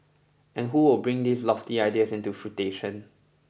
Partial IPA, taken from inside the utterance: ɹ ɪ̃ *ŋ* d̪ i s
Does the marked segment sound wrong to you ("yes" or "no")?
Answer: no